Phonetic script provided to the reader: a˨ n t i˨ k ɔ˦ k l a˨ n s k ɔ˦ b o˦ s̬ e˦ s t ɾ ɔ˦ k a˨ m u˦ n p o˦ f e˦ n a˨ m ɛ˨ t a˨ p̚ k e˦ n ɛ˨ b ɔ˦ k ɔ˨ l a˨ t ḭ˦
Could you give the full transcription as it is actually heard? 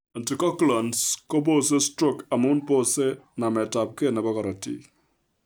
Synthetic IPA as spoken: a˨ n t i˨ k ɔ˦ k l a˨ n s k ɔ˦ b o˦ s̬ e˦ s t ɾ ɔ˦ k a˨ m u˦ n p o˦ s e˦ n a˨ m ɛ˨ t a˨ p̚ k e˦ n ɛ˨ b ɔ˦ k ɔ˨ ɾ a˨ t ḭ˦